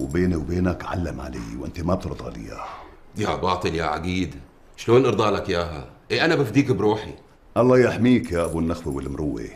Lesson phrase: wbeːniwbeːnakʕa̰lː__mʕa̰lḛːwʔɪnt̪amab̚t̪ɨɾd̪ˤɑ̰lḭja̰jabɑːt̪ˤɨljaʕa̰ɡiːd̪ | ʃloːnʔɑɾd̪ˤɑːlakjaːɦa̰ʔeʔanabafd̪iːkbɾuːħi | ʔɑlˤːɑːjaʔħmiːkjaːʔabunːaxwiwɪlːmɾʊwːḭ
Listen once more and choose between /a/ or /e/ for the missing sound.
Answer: a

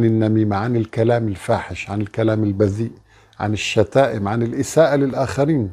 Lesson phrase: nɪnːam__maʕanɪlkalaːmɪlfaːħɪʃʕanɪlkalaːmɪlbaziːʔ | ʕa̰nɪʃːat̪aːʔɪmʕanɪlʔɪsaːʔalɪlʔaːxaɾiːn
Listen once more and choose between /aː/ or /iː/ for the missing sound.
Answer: iː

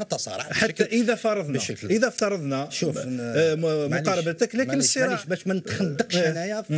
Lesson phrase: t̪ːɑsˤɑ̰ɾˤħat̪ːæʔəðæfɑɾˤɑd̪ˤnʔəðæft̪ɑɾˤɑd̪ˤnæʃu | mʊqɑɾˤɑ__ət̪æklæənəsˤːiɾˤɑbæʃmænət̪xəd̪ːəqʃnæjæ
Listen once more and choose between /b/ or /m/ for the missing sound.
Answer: b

